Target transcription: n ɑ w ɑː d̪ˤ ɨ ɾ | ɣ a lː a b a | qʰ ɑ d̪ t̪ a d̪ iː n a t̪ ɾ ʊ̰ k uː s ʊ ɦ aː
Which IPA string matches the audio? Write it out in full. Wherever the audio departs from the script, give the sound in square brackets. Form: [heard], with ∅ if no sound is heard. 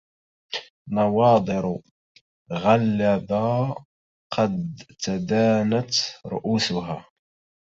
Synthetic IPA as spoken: n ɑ w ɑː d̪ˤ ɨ ɾ | ɣ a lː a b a | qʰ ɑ d̪ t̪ a d̪ [aː] n a t̪ ɾ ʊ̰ [ʔ] uː s ʊ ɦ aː